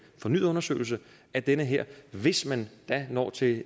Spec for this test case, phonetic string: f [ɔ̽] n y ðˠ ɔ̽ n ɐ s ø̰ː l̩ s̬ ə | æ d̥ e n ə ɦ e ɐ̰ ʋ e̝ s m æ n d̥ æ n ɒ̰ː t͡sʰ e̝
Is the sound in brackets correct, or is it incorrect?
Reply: incorrect